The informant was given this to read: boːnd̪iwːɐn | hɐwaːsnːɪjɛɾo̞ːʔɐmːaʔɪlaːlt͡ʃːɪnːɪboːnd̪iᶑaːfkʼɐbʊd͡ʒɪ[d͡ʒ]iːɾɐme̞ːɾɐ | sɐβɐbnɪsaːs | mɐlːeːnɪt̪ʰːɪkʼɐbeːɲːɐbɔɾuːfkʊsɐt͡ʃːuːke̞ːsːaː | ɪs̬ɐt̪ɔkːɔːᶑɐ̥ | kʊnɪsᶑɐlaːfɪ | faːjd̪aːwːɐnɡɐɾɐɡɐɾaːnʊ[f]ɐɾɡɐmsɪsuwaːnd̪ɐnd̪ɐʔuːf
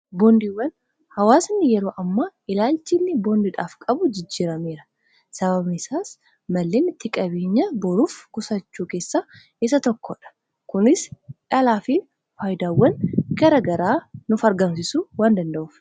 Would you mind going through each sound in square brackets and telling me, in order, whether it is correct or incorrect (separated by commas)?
incorrect, correct